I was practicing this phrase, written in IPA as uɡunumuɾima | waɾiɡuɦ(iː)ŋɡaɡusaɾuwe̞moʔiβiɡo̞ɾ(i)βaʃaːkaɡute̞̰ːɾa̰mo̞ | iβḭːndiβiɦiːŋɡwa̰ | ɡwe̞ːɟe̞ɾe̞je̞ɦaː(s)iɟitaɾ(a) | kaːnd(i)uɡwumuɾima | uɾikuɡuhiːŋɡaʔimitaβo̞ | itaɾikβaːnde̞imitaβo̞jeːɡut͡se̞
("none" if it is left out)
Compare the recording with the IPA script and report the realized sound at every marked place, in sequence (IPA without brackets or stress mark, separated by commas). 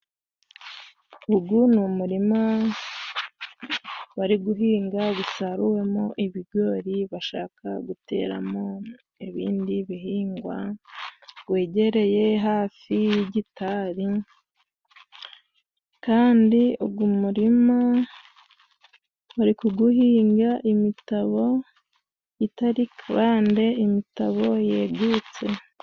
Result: iː, i, f, i, i